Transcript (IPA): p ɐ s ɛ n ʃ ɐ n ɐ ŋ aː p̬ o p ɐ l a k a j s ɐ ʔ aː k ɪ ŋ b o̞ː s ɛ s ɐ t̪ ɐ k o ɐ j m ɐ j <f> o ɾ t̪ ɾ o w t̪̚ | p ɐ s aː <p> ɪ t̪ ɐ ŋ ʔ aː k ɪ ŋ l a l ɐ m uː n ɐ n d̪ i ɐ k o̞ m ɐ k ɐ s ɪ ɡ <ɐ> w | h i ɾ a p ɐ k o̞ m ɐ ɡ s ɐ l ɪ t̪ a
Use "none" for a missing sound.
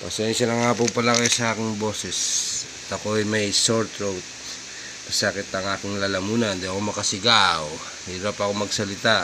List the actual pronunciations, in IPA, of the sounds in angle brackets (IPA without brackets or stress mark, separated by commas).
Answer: s, k, a